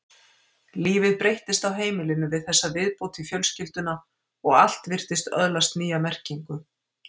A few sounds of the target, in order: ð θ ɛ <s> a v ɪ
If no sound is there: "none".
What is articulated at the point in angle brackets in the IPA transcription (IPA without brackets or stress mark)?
sː